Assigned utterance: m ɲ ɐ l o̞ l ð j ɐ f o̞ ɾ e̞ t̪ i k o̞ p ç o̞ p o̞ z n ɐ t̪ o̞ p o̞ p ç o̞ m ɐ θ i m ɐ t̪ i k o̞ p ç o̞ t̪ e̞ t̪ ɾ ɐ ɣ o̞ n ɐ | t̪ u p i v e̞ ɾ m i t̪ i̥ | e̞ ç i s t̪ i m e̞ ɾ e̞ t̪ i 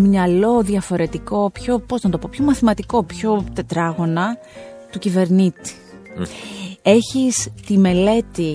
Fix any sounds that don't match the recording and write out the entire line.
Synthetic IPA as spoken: m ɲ ɐ l o̞ ð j ɐ f o̞ ɾ e̞ t̪ i k o̞ p ç o̞ p o̞ z n ɐ t̪ o̞ p o̞ p ç o̞ m ɐ θ i m ɐ t̪ i k o̞ p ç o̞ t̪ e̞ t̪ ɾ ɐ ɣ o̞ n ɐ | t̪ u c i v e̞ ɾ n i t̪ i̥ | e̞ ç i s t̪ i m e̞ l e̞ t̪ i